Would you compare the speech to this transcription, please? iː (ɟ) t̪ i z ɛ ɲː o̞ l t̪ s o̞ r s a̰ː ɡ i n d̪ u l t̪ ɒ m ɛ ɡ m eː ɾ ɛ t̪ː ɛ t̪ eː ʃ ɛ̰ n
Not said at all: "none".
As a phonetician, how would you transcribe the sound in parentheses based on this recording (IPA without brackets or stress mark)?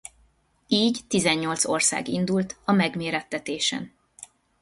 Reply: ɟ